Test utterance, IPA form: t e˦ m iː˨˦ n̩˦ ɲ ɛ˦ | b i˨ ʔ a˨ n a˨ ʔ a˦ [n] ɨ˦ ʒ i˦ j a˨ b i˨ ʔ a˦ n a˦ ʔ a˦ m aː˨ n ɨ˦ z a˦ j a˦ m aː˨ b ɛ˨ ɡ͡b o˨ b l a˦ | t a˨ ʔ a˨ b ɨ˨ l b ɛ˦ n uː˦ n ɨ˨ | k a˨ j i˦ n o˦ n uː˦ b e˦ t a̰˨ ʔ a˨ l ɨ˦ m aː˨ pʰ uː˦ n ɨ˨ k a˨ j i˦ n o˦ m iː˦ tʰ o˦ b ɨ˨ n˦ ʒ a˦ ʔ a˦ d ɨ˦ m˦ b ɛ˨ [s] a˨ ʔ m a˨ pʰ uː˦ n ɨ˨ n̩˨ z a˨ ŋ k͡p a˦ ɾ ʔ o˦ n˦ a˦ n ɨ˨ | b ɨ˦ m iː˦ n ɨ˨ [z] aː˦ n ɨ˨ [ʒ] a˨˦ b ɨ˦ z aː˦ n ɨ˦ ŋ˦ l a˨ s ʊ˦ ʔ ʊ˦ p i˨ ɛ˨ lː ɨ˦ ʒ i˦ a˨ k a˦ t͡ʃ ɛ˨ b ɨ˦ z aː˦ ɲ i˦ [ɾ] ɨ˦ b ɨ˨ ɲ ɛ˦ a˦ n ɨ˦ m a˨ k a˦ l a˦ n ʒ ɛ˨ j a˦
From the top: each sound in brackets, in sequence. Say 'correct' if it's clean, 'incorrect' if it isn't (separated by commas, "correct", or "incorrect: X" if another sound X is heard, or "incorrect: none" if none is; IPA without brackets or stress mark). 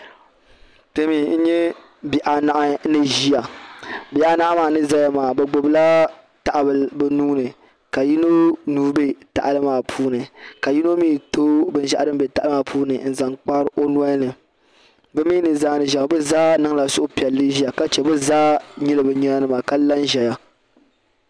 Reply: correct, incorrect: t, correct, correct, incorrect: l